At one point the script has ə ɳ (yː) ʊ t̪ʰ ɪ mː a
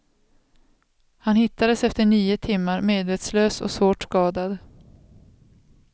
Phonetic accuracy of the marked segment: incorrect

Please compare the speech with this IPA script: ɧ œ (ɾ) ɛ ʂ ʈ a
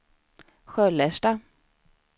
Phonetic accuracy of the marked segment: incorrect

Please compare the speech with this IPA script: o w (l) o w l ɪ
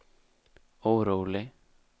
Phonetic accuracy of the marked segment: incorrect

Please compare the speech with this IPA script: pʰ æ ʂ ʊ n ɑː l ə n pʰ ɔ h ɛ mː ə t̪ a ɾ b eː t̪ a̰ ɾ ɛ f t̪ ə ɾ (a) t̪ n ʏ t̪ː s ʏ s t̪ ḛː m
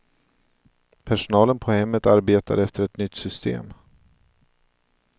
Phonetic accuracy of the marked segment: incorrect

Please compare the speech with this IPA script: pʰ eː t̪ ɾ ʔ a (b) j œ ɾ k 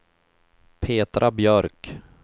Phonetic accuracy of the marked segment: correct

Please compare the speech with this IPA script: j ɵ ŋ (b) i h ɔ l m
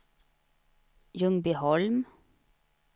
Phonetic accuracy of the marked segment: correct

